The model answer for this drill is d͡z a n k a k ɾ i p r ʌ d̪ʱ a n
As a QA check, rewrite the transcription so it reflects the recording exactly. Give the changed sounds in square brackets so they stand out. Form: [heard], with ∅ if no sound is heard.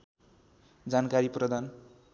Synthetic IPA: d͡z a n k a [∅] ɾ i p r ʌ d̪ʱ a n